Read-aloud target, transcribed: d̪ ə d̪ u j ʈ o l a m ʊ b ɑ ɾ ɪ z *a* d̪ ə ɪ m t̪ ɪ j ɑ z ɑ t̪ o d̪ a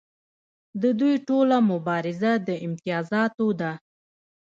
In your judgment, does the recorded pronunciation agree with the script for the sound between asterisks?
yes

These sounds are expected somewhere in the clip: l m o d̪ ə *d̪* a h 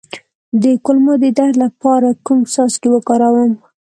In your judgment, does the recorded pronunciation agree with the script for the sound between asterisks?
yes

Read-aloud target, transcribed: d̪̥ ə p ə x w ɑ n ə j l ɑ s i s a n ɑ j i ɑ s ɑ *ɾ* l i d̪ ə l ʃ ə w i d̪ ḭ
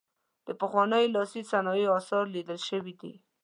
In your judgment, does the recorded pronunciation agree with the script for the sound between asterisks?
yes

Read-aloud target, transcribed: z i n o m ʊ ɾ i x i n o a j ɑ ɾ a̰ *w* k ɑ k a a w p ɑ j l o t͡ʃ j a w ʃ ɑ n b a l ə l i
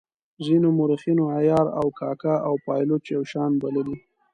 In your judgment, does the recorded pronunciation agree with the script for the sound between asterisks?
yes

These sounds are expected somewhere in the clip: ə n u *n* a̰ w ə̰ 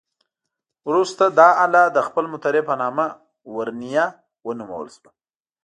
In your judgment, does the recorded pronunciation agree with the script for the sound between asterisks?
no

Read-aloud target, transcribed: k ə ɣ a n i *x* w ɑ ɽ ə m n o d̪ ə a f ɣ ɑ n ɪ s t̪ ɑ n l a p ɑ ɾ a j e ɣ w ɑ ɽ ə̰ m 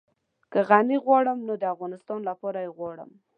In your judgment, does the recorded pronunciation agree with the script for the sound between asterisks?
no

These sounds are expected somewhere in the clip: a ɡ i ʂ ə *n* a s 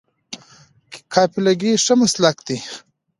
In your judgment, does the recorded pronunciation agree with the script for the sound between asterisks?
no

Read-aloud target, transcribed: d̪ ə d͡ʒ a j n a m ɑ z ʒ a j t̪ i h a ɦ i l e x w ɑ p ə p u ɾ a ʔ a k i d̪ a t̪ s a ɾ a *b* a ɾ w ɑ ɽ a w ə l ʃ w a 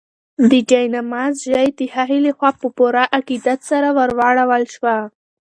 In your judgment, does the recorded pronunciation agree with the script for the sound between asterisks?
no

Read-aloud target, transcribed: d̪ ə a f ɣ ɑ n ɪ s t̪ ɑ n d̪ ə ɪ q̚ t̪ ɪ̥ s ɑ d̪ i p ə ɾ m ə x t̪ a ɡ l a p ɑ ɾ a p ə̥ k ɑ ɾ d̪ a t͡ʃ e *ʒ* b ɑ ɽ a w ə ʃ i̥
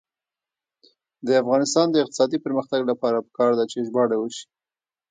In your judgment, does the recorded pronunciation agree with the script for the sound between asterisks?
yes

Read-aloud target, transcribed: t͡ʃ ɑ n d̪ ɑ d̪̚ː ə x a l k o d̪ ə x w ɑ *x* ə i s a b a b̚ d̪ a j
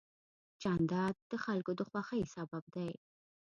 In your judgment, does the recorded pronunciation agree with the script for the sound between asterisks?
yes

